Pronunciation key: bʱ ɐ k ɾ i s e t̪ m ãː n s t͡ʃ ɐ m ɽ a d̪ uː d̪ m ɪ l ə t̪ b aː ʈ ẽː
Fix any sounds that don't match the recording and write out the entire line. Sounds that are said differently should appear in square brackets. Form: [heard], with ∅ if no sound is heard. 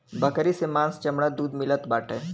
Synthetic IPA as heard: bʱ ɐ k ɾ i s e [∅] m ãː n s t͡ʃ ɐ m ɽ a d̪ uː d̪ m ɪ l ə t̪ b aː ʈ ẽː